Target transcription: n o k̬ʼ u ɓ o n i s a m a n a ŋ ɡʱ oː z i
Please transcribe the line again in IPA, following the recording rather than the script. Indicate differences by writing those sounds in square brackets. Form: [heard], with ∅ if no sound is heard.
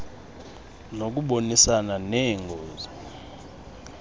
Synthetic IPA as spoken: n o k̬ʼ u ɓ o n i s a [n] a n [ɛ] ŋ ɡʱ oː z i